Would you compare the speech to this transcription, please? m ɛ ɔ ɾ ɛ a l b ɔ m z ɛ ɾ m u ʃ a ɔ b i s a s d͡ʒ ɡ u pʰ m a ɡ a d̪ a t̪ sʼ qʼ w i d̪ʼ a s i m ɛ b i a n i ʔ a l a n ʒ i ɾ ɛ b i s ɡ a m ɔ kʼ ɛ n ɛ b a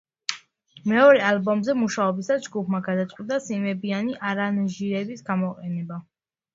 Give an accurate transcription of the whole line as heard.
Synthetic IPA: m ɛ ɔ ɾ ɛ a l b ɔ m z ɛ m u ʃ a ɔ b i s a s d͡ʒ ɡ u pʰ m a ɡ a d̪ a t̪ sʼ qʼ w i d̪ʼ a s i m ɛ b i a n i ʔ a ɾ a n ʒ i ɾ ɛ b i s ɡ a m ɔ qʼ ɛ n ɛ b a